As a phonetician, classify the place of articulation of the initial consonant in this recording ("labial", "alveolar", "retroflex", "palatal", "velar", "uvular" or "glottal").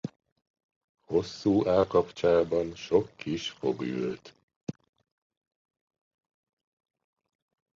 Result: glottal